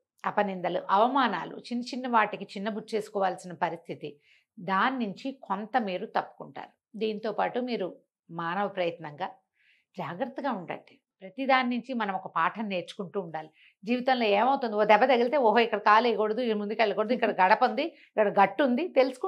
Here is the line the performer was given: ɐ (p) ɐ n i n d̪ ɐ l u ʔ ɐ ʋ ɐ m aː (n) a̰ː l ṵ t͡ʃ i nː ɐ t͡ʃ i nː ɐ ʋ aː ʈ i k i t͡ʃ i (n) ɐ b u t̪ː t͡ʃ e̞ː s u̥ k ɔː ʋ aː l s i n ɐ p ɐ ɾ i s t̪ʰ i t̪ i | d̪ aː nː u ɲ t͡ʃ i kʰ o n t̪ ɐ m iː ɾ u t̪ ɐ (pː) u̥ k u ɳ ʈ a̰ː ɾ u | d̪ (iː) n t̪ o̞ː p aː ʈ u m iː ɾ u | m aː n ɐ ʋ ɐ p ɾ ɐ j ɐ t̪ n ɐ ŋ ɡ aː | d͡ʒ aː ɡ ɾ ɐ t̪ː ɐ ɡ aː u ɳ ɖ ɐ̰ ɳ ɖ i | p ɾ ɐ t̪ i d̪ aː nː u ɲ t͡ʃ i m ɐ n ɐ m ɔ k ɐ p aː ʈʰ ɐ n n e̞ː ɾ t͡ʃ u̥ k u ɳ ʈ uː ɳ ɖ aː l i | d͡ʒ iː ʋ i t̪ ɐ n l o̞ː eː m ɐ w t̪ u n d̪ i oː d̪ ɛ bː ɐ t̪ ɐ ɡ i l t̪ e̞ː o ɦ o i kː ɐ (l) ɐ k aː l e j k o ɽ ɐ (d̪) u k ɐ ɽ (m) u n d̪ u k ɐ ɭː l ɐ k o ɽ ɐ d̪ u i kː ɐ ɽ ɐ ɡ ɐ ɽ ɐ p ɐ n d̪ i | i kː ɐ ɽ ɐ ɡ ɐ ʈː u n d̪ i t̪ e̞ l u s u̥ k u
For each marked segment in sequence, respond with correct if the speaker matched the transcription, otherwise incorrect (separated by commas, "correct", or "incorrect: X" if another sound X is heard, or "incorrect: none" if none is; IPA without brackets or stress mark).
correct, correct, incorrect: nː, correct, correct, incorrect: ɽ, correct, correct